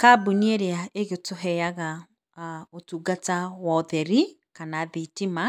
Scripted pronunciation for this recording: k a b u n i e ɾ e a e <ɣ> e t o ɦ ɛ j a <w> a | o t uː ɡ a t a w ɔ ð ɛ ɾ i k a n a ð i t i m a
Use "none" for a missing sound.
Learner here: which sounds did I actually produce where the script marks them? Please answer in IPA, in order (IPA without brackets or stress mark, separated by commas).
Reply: ɣ, ɣ